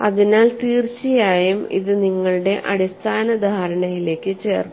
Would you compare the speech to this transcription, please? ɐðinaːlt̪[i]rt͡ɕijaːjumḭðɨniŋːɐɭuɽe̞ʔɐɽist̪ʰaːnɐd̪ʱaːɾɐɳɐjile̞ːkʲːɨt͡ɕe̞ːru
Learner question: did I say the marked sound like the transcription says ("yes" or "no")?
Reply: no